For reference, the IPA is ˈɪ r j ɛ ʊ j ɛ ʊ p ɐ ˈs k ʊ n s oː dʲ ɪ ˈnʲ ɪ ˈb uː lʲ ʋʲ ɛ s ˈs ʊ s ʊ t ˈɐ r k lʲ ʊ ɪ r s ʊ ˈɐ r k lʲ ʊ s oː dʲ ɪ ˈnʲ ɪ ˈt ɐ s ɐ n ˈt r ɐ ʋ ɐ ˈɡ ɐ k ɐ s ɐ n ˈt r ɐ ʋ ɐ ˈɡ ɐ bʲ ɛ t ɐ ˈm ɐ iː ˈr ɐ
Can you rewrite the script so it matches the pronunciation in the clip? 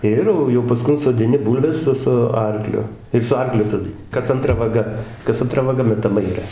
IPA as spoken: ˈɪ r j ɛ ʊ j ɛ ʊ p ɐ ˈs k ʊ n s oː dʲ ɪ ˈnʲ ɪ ˈb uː lʲ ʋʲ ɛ s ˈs ʊ s ʊ ˈɐ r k lʲ ʊ ɪ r s ʊ ˈɐ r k lʲ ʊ s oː dʲ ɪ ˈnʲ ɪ ˈk ɐ s ɐ n ˈt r ɐ ʋ ɐ ˈɡ ɐ k ɐ s ɐ n ˈt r ɐ ʋ ɐ ˈɡ ɐ mʲ ɛ t ɐ ˈm ɐ iː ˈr ɐ